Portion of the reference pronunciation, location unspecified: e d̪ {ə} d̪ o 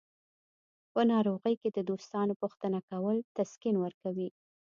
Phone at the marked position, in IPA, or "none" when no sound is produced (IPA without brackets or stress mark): ə